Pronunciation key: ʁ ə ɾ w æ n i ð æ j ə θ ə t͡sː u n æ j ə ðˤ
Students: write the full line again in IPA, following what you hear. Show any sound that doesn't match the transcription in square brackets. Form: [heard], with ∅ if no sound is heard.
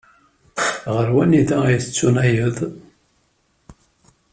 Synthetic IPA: ʁ ə ɾ w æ n i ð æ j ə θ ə t͡sː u n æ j ə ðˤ